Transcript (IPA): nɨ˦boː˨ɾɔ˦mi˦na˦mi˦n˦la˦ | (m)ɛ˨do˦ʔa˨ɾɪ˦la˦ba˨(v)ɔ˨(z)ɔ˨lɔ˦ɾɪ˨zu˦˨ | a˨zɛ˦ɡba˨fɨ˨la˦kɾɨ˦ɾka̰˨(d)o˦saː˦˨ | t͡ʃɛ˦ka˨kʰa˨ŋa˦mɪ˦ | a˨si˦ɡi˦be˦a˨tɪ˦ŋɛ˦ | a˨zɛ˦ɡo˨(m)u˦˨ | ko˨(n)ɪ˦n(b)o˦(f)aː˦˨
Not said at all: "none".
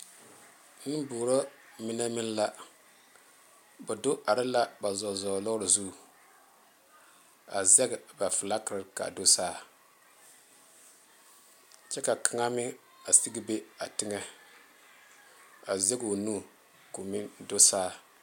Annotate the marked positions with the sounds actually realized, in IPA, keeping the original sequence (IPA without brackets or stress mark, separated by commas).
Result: b, z, z, d, n, m, d, s